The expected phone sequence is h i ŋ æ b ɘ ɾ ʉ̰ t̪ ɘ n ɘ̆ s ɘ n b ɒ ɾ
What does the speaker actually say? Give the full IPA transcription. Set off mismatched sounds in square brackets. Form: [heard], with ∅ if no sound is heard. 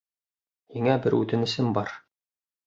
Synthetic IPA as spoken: h i ŋ æ b ɘ ɾ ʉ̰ t̪ ɘ n ɘ̆ s ɘ [m] b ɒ ɾ